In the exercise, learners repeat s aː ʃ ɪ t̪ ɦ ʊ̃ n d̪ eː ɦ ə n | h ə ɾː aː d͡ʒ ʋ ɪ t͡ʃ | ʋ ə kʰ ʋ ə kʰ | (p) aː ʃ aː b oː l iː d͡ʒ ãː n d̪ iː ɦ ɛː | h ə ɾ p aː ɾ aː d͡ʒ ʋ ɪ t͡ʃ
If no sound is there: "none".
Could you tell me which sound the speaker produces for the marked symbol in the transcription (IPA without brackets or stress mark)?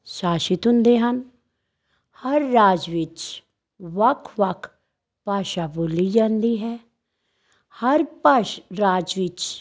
p